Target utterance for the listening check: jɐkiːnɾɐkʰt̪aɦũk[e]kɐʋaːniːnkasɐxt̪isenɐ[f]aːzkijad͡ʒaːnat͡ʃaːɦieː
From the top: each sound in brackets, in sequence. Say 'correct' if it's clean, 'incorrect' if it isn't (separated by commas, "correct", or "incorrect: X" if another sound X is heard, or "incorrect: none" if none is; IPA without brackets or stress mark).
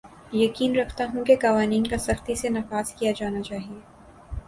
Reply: correct, correct